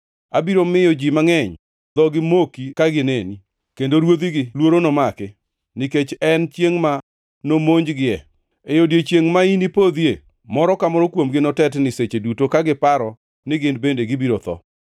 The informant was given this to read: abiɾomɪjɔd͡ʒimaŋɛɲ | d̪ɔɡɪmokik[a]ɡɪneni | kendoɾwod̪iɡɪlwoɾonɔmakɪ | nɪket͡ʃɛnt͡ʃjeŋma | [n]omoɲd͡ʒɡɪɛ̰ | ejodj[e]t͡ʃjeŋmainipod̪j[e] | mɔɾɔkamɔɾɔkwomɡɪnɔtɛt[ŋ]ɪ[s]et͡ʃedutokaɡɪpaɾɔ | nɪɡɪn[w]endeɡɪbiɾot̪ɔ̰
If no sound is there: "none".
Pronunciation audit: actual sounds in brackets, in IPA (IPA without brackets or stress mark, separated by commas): a, n, e, e, n, s, b